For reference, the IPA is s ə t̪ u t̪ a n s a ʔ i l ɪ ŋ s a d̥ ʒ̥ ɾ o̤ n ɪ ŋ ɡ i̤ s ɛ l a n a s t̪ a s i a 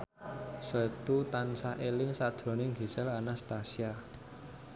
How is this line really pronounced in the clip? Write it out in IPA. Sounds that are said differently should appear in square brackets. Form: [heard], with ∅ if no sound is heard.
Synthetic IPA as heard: s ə t̪ u t̪ a n s a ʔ [e] l ɪ ŋ s a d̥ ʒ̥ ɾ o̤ n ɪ ŋ ɡ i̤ s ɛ l a n a s t̪ a s i a